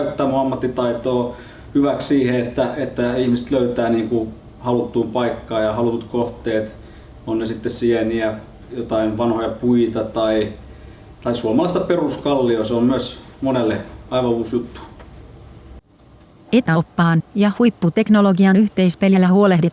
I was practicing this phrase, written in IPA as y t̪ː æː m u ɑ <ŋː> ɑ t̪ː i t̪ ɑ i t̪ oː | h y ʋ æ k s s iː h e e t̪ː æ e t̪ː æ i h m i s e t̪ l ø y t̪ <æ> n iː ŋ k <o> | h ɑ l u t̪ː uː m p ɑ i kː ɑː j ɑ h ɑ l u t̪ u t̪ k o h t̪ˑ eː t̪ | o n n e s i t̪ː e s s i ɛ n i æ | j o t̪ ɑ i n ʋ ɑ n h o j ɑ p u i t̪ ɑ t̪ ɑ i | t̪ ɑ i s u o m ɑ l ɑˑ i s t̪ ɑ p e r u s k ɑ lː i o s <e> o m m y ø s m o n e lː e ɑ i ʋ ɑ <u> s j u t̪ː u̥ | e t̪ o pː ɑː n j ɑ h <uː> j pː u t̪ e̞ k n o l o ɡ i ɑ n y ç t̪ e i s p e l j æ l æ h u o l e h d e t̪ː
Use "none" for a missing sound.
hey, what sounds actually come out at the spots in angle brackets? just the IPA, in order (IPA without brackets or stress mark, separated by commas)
mː, æː, u, e, uː, u